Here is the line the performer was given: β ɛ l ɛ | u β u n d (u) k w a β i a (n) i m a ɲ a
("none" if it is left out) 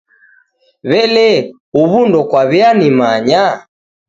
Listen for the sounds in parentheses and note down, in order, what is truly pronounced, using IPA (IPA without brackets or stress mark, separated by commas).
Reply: ɔ, n